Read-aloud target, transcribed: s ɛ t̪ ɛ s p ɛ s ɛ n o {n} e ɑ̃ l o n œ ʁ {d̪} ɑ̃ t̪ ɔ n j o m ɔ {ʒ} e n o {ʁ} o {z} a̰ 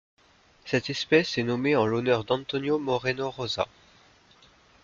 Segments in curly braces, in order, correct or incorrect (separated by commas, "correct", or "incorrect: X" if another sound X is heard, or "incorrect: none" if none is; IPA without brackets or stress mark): incorrect: m, correct, incorrect: ʁ, correct, correct